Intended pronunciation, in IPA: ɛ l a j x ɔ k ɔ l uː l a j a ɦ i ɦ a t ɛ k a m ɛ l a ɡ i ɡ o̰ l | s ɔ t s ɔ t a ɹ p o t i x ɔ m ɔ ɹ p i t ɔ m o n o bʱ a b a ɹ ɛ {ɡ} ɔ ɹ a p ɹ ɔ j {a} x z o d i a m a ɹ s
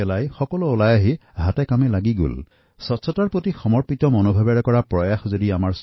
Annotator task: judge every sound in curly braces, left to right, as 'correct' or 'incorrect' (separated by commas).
incorrect, correct